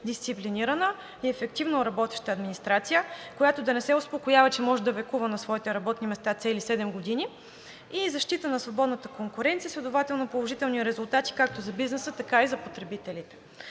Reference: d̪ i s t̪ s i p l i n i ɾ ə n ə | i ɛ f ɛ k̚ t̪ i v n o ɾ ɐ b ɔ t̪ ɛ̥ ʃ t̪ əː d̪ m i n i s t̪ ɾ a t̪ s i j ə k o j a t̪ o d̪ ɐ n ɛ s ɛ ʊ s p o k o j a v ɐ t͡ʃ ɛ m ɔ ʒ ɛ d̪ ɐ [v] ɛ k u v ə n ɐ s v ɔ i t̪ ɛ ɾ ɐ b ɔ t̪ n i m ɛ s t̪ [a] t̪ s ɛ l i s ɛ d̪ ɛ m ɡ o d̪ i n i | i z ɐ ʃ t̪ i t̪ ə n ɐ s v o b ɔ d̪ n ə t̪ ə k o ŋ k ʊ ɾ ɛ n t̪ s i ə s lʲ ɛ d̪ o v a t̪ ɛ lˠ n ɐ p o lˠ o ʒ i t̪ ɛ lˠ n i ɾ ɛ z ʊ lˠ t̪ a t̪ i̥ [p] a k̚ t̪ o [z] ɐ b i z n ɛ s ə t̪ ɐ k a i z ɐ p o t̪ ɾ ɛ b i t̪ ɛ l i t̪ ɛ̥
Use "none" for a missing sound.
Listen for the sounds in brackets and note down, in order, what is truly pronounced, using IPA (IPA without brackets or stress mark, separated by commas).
v, a, k, z